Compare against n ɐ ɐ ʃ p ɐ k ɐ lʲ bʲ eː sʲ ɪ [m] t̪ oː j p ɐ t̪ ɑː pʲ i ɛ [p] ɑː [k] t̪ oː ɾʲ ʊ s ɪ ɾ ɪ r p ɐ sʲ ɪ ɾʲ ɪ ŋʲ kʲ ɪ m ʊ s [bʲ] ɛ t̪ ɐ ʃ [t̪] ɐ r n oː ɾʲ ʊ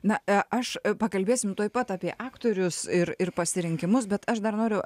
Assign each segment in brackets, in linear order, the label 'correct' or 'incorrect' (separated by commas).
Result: correct, incorrect, correct, correct, incorrect